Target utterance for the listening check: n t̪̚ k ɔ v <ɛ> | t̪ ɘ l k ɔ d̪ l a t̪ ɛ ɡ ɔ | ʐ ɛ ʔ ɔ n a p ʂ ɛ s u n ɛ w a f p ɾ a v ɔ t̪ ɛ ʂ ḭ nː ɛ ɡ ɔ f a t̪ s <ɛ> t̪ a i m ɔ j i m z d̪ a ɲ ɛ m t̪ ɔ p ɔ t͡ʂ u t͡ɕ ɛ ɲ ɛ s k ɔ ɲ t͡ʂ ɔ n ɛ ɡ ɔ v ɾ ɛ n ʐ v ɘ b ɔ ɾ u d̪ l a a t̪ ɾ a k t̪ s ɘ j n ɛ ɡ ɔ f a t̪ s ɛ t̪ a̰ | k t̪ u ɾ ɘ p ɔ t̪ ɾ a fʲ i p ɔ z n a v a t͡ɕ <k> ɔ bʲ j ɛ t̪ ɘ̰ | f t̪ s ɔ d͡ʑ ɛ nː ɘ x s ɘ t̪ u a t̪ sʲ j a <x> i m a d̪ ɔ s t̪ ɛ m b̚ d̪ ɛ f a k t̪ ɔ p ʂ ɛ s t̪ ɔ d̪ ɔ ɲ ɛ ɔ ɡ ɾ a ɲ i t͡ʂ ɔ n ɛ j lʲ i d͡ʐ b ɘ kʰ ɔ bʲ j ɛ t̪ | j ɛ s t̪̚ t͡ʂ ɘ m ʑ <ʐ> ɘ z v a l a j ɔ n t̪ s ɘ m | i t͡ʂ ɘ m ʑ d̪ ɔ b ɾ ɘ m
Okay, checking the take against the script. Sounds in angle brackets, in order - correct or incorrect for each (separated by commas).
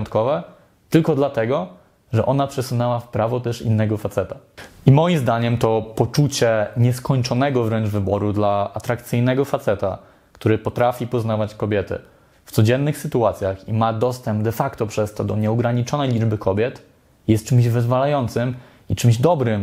correct, correct, correct, correct, incorrect